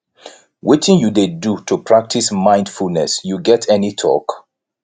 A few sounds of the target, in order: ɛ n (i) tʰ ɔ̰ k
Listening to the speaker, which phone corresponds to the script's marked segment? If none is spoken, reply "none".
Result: i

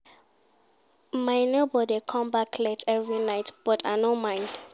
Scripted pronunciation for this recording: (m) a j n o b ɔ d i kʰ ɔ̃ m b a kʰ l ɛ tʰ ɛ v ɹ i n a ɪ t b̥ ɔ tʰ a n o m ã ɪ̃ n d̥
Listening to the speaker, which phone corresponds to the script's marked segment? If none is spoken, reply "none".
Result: m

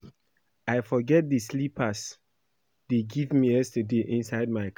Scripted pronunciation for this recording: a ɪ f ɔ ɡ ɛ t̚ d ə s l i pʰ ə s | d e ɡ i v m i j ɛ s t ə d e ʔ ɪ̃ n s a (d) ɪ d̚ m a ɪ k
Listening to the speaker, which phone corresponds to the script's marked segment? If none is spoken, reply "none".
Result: none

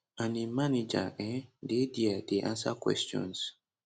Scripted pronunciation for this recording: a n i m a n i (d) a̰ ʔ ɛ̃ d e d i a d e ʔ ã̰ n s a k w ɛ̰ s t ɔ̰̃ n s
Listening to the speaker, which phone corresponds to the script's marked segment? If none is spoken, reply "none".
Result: d͡ʒ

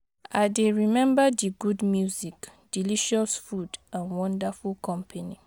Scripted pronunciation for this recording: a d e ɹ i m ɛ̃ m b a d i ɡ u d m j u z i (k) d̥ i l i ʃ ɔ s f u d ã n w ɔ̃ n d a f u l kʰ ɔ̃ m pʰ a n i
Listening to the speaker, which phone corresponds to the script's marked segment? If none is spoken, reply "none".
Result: k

